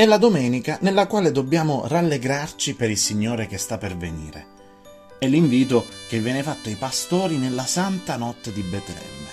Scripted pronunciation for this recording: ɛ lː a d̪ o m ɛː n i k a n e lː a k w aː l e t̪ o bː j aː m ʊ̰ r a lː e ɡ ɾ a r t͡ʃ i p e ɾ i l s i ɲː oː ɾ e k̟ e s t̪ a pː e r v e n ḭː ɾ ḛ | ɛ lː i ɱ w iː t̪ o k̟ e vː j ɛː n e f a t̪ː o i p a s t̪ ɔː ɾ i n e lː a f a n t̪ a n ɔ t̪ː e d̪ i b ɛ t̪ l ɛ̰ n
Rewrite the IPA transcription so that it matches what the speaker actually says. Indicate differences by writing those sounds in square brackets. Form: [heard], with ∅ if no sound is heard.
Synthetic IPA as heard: ɛ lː a d̪ o m ɛː n i k a n e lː a k w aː l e [d̪] o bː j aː m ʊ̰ r a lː e ɡ ɾ a r t͡ʃ i p e ɾ i l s i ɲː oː ɾ e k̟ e s t̪ a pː e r v e n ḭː ɾ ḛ | ɛ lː i ɱ [v] iː t̪ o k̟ e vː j ɛː n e f a t̪ː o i p a s t̪ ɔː ɾ i n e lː a [s] a n t̪ a n ɔ t̪ː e d̪ i b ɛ t̪ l ɛ̰ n